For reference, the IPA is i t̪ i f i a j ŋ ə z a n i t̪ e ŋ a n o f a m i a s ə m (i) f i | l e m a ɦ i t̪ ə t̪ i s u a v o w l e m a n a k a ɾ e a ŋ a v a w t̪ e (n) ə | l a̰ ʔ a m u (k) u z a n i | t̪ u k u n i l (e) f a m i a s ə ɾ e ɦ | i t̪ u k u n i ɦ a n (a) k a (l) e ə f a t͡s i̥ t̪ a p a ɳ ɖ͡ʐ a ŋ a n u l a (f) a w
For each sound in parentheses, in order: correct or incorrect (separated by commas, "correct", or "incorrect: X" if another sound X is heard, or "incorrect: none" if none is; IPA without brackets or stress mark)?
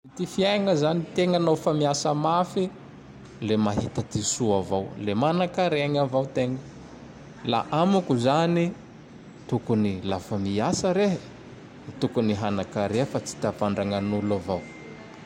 incorrect: a, incorrect: ŋ, correct, incorrect: a, correct, incorrect: ɾ, incorrect: v